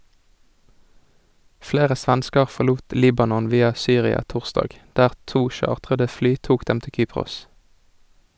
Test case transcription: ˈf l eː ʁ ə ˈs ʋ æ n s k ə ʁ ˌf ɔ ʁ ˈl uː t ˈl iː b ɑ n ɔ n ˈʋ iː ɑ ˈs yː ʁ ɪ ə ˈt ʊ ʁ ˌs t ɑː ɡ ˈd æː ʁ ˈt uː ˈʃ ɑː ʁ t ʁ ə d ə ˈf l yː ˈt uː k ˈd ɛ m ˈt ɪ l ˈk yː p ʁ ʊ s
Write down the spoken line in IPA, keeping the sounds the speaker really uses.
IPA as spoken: ˈf l eː ʁ ə ˈs ʋ æ n s k ə ʁ ˌf ɔ ʁ ˈl uː t ˈl iː b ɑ n ɔ n ˈʋ iː ɑ ˈs yː ʁ ɪ ɑ ˈt ʊ ʁ ˌs t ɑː ɡ ˈd æː ʁ ˈt uː ˈʃ ɑː ʁ t ʁ ə d ə ˈf l yː ˈt uː k ˈd ɛ m ˈt ɪ l ˈk yː p ʁ ʊ s

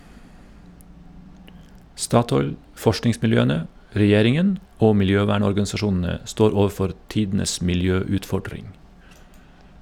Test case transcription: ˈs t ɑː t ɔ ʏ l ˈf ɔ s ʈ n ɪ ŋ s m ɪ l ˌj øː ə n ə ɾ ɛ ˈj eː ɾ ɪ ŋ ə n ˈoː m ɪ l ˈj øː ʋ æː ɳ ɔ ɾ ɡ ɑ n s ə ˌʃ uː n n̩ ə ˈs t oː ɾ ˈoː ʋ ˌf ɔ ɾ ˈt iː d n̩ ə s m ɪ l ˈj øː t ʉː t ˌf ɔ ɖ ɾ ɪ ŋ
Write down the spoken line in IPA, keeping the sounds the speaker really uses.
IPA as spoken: ˈs t ɑː t ɔ ʏ l ˈf ɔ ʃ ʈ n ɪ ŋ s m ɪ l ˌj øː ə n ə ɾ ɛ ˈj eː ɾ ɪ ŋ ə n ˈoː m ɪ l ˈj øː ʋ æː ɳ ɔ ɾ ɡ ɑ n s ɑ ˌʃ uː n n̩ ə ˈs t oː ɾ ˈoː ʋ ˌf ɔ ɾ ˈt iː d n̩ ə s m ɪ l ˈj øː ʉː t ˌf ɔ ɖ ɾ ɪ ŋ

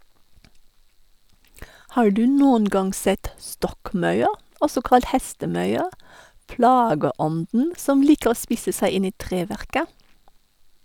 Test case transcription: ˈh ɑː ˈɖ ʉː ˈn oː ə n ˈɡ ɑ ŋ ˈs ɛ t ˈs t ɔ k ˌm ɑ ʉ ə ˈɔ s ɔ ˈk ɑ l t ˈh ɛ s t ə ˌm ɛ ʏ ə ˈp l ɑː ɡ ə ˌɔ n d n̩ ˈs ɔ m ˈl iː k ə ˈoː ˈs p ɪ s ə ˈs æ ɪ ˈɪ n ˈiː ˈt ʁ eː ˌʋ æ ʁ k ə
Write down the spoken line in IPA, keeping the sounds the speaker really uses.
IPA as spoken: ˈh ɑː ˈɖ ʉː ˈn oː ə n ˈɡ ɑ ŋ ˈs ɛ t ˈs t ɔ k ˌm ɑ ʉ ə ˈɔ s ɔ ˈk ɑ l t ˈh ɛ s t ə ˌm œ ʏ ə ˈp l ɑː ɡ ə ˌɔ n d n̩ ˈs ɔ m ˈl iː k ə ˈoː ˈs p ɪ s ə ˈs æ ɪ ˈɪ n ˈiː ˈt ʁ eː ˌʋ æ ʁ k ə

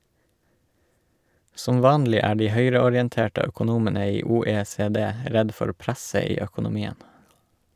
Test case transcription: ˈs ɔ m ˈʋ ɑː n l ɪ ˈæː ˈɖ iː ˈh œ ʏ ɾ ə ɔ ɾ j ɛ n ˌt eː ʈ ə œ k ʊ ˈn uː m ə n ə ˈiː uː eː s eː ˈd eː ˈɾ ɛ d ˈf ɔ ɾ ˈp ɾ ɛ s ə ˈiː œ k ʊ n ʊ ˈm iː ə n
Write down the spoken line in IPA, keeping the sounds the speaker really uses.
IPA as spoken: ˈs ɔ m ˈʋ ɑː n l ɪ ˈæː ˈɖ iː ˈh œ ʏ ɾ ə ɔ ɾ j ɛ n ˌt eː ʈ ə œ k ʊ ˈn uː m ə n ə ˈiː uː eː s eː ˈd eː ˈɾ ɛ d ˈf ɔ ɾ ˈp ɾ æ s ə ˈiː œ k ʊ n ʊ ˈm iː ə n

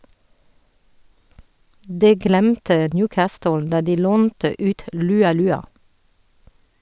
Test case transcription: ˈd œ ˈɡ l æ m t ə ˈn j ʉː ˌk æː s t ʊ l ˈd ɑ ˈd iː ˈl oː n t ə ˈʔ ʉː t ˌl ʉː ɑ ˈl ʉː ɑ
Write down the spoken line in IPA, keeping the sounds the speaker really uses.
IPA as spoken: ˈd ɛ ˈɡ l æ m t ə ˈn j ʉː ˌk æː s t ʊ l ˈd ɑ ˈd iː ˈl oː n t ə ˈʔ ʉː t ˌl ʉː ɑ ˈl ʉː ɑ

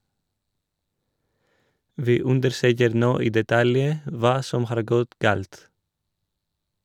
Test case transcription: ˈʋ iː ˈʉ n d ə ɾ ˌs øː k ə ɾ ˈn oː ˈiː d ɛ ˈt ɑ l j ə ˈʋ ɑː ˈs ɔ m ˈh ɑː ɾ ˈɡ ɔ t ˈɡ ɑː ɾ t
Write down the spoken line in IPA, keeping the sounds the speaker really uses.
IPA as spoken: ˈʋ iː ˈʉ n d ə ɾ ˌs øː k ə ɾ ˈn oː ˈiː d ɛ ˈt ɑ l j ə ˈʋ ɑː ˈs ɔ m ˈh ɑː ɾ ˈɡ ɔ t ˈɡ ɑː l t

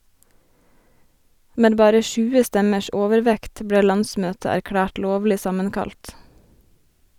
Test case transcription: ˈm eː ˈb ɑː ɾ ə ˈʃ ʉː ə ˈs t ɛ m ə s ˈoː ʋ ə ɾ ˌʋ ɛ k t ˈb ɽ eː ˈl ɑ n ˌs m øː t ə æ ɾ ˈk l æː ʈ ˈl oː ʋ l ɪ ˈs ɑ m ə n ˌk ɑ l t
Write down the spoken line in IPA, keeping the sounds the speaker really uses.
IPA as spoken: ˈm eː ˈb ɑː ɾ ə ˈʃ ʉː ə ˈs t ɛ m ə ʃ ˈoː ʋ ə ɾ ˌʋ ɛ k t ˈb ɽ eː ˈl ɑ n ˌs m øː t ə æ ɾ ˈk ɽ æː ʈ ˈl oː ʋ l ɪ ˈs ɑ m ə n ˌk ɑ l t

